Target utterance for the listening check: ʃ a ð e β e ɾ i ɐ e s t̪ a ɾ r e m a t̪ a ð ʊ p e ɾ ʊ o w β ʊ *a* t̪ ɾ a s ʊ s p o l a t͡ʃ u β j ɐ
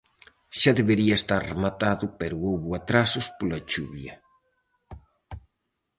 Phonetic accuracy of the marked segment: correct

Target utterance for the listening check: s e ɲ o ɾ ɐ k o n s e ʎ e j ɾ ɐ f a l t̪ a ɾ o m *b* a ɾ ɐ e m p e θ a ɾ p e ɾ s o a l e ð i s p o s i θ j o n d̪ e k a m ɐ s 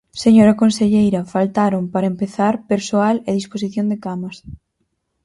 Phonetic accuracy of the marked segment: incorrect: p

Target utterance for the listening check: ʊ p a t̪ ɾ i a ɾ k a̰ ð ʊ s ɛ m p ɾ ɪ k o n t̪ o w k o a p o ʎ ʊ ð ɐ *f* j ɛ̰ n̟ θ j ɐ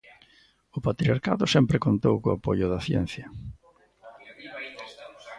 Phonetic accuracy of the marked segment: incorrect: θ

